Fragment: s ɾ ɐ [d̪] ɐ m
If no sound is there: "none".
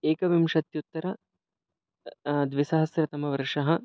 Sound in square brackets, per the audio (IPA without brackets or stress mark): t̪